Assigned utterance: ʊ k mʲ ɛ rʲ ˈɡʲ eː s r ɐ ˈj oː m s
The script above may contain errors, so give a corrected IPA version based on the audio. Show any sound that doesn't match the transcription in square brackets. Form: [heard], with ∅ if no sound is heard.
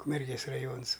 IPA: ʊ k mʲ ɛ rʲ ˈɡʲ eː s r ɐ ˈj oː [n] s